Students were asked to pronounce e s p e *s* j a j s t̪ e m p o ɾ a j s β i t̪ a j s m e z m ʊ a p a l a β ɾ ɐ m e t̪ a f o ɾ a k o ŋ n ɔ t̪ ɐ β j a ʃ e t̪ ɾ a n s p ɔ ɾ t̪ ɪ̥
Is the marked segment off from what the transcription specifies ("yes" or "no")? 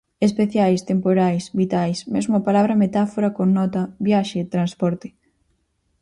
yes